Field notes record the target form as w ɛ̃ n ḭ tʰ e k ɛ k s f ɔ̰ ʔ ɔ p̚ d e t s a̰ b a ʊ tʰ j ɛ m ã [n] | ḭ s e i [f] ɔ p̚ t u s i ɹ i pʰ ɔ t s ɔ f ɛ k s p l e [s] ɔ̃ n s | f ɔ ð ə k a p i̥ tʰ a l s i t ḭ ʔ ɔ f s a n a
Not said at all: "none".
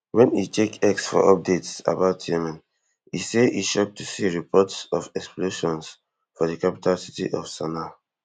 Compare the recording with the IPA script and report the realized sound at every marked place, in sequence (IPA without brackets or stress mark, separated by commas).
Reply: n, ʃ, ʃ